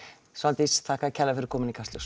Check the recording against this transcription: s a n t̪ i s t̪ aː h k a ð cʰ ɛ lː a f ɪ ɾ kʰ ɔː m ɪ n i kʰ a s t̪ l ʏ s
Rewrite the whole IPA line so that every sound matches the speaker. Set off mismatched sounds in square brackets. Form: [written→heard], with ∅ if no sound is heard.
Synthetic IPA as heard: s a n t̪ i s [t̪→t̪ʰ] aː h k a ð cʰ ɛ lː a f ɪ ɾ kʰ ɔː m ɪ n i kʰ a s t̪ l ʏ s